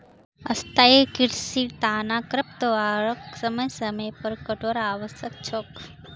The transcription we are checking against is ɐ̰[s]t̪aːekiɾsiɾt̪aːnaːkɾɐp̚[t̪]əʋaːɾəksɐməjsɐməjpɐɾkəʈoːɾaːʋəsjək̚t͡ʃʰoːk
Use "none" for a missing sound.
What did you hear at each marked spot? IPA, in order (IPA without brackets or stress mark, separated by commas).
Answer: s, t̪